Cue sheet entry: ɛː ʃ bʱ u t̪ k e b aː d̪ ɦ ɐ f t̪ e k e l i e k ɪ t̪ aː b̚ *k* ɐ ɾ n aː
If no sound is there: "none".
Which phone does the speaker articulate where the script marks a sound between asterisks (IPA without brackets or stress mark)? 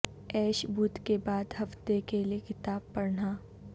p